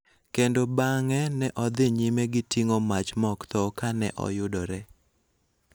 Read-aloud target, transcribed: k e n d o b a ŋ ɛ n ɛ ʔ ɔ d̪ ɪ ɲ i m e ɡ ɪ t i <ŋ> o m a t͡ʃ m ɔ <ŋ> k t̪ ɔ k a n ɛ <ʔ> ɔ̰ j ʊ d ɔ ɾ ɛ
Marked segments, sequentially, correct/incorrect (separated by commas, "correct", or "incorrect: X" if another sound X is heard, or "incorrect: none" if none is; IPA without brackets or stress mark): correct, incorrect: none, correct